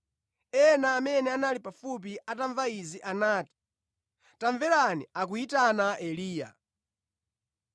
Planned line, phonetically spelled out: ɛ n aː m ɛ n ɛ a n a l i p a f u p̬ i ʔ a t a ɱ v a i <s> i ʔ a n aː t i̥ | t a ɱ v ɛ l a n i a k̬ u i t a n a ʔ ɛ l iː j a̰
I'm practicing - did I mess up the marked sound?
yes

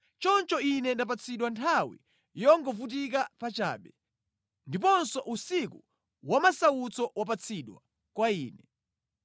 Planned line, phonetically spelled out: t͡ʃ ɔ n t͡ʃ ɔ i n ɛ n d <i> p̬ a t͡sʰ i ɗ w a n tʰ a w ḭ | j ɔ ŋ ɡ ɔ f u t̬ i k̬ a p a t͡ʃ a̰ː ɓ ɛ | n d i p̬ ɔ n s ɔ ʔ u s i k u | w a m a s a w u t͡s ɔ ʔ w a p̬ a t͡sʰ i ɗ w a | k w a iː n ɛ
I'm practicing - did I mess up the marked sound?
yes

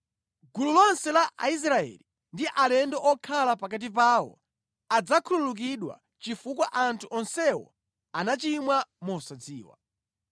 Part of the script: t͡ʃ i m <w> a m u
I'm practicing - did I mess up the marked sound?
no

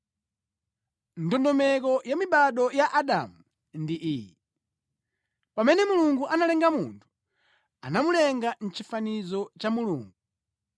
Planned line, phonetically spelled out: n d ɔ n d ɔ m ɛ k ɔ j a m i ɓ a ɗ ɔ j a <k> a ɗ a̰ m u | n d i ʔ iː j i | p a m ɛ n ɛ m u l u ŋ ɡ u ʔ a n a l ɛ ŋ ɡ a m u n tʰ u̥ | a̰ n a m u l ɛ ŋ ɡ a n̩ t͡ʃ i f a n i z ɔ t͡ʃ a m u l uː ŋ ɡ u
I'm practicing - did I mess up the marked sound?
yes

